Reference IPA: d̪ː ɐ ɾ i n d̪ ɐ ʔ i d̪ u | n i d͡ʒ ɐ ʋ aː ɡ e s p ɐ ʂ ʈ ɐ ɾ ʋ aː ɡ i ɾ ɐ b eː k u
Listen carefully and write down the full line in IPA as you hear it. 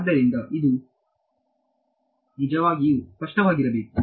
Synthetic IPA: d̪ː ɐ ɾ i n d̪ ɐ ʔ i d̪ u | n i d͡ʒ ɐ ʋ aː ɡ i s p ɐ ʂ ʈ ɐ ʋ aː ɡ i ɾ ɐ b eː k u

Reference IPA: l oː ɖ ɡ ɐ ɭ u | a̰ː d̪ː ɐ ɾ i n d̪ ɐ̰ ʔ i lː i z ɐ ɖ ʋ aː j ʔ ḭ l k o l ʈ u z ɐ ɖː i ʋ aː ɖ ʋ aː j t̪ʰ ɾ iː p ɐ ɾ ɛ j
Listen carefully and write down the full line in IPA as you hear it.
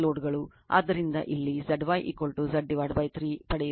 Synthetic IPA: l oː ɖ ɡ ɐ ɭ u | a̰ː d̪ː ɐ ɾ i n d̪ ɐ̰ ʔ i lː i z ɐ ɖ ʋ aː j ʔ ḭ k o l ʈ u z ɐ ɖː i ʋ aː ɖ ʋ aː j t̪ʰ ɾ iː p ɐ ɽ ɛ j

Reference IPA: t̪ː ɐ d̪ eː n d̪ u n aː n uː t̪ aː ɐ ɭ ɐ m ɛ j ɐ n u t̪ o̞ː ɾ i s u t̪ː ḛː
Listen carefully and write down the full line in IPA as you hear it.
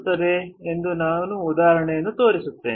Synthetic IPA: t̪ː ɐ d̪ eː n d̪ u n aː n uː d̪ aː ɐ ɾ ɐ ɳ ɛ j ɐ nː u t̪ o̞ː ɾ i s u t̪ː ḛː

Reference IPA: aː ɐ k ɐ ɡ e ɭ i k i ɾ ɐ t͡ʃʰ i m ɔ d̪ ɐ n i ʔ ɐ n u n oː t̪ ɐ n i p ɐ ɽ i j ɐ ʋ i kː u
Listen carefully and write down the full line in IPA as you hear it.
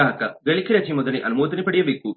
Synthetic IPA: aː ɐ k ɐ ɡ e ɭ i k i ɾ ɐ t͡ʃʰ i m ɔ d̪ ɐ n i ʔ ɐ n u m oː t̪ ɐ n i p ɐ ɽ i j ɐ ʋ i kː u

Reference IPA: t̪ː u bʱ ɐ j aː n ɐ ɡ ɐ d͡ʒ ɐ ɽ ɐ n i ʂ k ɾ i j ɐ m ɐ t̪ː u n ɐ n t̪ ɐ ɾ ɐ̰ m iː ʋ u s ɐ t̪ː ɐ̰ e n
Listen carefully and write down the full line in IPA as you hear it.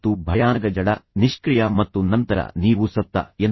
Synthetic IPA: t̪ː u bʱ ɐ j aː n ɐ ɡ ɐ d͡ʒ ɐ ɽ ɐ n i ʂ k ɾ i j ɐ m ɐ t̪ː u n ɐ n t̪ ɐ ɾ ɐ̰ n iː ʋ u s ɐ t̪ː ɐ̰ e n

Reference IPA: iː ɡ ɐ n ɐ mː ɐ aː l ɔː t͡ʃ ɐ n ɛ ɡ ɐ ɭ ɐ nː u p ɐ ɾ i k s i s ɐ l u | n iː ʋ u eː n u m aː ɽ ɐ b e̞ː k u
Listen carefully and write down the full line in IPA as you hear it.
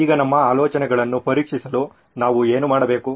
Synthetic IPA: iː ɡ ɐ n ɐ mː ɐ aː l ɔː t͡ʃ ɐ n ɛ ɡ ɐ ɭ ɐ nː u p ɐ ɾ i k ʂ i s ɐ l u | n aː ʋ u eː n u m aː ɽ ɐ b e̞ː k u

